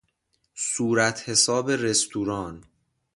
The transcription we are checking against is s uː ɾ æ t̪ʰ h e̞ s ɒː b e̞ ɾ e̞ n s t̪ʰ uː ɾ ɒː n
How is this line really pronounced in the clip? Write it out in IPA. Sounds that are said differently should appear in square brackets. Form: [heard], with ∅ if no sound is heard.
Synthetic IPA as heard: s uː ɾ æ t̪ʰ h e̞ s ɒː b e̞ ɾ e̞ [∅] s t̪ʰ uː ɾ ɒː n